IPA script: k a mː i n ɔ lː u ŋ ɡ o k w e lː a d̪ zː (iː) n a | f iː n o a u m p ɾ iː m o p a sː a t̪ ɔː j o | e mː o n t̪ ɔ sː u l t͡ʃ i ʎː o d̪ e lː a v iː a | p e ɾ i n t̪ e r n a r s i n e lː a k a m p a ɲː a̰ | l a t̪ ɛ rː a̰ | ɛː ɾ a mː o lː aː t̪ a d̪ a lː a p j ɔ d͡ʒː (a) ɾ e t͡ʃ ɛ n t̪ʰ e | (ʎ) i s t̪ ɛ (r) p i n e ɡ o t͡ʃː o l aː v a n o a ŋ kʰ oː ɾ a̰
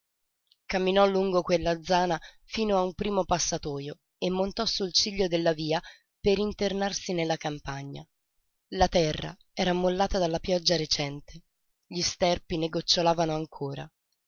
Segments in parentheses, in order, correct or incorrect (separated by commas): incorrect, correct, correct, correct